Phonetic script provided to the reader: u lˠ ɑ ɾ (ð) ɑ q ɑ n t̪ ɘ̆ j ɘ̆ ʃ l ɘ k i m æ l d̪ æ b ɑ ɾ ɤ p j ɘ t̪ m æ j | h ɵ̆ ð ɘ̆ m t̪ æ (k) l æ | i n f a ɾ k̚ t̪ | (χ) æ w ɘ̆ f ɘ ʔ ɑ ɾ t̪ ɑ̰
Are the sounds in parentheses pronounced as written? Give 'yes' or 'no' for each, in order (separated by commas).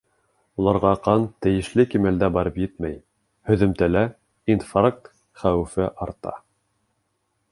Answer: no, no, yes